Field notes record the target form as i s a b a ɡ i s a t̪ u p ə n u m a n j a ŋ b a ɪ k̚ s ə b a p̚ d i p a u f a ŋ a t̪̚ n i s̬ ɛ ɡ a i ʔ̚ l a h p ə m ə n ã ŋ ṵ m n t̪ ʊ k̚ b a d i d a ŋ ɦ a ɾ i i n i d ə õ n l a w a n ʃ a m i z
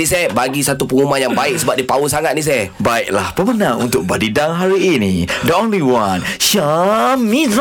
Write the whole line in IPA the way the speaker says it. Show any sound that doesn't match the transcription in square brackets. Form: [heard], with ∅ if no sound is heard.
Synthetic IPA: i s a b a ɡ i s a t̪ u p ə [ŋ] u m a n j a ŋ b a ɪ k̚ s ə b a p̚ d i p a u [s] a ŋ a t̪̚ n i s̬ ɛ [b] a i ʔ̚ l a h p ə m ə n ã ŋ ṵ [∅] n t̪ ʊ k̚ b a d i d a ŋ ɦ a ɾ i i n i d ə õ n l [i] w a n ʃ a m i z